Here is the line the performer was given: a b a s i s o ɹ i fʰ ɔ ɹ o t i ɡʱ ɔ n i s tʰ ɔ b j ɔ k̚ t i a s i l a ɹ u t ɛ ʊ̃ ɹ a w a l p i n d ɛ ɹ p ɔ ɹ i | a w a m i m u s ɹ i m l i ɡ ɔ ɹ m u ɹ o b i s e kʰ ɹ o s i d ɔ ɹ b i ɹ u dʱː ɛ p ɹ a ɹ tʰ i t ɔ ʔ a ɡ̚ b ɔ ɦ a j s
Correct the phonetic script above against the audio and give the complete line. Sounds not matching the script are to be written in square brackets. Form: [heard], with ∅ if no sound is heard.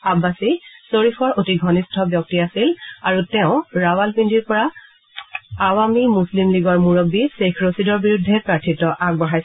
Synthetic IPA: a b a s i s o ɹ i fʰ ɔ ɹ o t i ɡʱ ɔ n i s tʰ ɔ b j ɔ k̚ t i a s i l a ɹ u t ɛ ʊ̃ ɹ a w a l p i n d [i] ɹ p ɔ ɹ [a] | a w a m i m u s [l] i m l i ɡ ɔ ɹ m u ɹ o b i s e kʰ ɹ o s i d ɔ ɹ b i ɹ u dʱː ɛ p ɹ a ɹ tʰ i t ɔ ʔ a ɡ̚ b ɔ ɦ a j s